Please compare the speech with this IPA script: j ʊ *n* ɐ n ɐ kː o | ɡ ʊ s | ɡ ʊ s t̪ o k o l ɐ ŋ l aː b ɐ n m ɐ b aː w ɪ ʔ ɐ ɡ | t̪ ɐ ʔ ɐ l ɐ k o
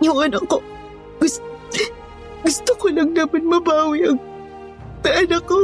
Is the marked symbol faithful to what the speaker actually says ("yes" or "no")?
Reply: no